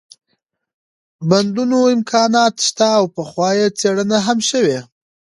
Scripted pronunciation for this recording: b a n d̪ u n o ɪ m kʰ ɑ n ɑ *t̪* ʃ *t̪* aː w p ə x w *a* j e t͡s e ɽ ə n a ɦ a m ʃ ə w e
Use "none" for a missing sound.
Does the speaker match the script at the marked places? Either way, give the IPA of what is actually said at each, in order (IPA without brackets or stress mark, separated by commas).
t̪, t̪, ɑ